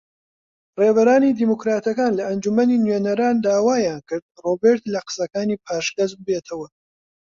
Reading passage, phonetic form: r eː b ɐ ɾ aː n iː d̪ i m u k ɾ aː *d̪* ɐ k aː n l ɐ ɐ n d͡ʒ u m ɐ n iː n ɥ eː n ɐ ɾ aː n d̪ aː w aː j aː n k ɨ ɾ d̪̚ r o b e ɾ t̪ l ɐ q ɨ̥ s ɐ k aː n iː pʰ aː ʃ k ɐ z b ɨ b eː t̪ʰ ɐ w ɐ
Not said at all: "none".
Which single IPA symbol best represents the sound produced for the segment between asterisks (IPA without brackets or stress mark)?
t̪